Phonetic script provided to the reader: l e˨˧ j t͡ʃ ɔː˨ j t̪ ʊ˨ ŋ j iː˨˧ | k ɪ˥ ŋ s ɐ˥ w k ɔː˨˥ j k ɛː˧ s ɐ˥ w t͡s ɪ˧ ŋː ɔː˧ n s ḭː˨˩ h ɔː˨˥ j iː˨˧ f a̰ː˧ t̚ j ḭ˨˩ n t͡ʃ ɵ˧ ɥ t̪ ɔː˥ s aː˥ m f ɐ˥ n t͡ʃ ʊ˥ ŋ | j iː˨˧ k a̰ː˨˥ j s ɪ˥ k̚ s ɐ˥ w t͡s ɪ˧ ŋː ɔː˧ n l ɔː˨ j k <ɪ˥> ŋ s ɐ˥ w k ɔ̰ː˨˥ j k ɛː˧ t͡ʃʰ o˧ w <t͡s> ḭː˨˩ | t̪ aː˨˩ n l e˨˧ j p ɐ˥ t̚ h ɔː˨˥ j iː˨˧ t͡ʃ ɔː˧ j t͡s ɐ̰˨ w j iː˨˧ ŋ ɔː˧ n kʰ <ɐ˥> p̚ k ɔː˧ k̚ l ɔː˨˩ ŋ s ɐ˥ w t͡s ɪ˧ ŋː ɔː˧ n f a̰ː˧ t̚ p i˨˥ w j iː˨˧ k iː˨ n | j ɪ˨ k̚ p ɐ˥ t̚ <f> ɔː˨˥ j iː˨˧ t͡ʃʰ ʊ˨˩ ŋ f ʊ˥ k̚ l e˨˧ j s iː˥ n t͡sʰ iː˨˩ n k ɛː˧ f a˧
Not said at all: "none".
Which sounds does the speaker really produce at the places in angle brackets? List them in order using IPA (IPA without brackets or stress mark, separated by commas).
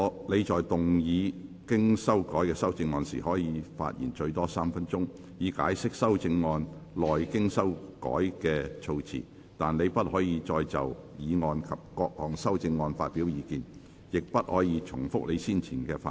ɪ˥, t͡sʰ, ɐ˨, h